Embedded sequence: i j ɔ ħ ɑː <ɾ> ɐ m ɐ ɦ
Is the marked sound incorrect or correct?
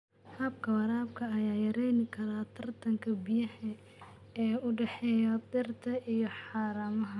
correct